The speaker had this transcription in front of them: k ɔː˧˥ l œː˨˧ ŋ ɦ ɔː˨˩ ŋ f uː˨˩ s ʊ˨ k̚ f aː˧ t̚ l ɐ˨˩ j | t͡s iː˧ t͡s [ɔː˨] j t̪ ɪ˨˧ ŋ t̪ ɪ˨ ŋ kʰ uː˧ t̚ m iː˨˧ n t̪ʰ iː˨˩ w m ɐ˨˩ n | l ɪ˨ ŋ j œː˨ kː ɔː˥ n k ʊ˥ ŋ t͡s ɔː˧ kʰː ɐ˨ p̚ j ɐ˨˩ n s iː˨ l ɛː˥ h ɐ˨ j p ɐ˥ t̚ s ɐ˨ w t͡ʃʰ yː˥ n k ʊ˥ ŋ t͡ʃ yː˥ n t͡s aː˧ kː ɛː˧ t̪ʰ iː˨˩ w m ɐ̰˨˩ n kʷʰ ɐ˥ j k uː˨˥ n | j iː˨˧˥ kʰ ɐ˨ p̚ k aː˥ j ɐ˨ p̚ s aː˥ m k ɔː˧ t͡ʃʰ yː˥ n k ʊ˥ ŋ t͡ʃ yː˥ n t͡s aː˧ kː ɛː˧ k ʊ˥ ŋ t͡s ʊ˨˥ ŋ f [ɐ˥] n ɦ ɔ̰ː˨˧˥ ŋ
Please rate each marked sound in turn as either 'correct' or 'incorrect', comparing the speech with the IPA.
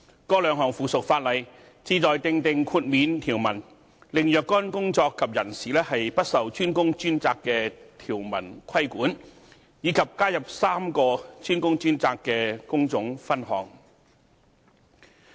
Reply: correct, correct

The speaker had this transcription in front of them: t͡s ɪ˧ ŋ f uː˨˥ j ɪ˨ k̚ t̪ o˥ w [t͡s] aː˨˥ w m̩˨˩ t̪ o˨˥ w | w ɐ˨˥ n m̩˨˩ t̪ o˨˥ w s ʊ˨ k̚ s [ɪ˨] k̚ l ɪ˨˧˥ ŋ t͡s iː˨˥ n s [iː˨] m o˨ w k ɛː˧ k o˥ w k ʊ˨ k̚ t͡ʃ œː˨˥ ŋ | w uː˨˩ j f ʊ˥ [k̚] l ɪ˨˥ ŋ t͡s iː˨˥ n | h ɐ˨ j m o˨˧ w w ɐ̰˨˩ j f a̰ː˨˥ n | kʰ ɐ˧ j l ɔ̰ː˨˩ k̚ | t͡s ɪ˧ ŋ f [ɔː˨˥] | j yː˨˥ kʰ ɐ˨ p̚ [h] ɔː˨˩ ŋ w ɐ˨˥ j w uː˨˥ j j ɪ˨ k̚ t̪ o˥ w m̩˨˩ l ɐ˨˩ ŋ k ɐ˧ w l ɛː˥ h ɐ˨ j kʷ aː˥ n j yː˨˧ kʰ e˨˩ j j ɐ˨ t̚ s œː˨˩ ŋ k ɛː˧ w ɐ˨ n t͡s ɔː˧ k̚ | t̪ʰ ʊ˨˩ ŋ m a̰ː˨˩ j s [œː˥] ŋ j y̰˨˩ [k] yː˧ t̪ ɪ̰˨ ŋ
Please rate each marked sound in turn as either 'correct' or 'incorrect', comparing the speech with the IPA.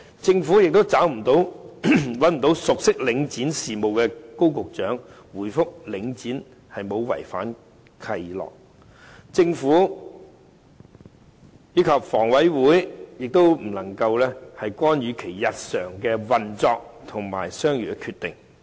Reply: correct, incorrect, correct, correct, incorrect, incorrect, correct, incorrect

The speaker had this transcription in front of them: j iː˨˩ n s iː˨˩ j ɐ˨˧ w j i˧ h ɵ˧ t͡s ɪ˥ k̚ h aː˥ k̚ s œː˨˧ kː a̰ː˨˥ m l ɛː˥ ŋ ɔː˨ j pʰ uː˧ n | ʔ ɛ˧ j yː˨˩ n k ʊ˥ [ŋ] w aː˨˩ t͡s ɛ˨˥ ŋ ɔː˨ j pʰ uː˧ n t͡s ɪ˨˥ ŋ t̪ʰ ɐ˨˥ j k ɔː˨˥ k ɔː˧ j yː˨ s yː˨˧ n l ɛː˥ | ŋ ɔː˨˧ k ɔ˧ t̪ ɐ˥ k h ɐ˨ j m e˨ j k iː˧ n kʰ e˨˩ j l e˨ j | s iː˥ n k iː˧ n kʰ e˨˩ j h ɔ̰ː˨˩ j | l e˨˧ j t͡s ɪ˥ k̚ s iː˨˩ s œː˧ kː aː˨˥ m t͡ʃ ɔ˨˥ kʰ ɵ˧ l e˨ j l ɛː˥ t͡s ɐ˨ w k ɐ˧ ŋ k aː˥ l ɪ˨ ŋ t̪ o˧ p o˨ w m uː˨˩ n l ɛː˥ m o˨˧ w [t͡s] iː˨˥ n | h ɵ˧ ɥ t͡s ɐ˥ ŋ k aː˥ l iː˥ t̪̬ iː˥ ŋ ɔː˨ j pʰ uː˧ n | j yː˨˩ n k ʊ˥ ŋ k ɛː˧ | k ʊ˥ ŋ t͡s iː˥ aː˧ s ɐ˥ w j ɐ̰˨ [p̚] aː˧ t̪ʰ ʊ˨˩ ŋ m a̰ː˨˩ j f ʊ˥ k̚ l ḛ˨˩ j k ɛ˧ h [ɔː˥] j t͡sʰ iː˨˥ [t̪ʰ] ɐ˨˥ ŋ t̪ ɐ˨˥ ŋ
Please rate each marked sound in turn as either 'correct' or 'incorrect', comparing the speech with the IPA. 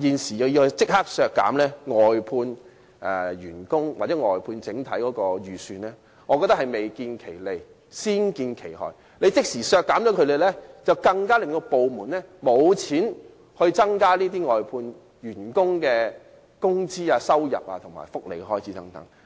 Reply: correct, incorrect, correct, correct, incorrect

